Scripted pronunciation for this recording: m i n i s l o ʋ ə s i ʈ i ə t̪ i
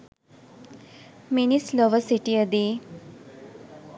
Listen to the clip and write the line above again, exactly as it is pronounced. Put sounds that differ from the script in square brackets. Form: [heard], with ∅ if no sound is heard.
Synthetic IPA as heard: m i n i s l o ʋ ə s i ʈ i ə [d̪] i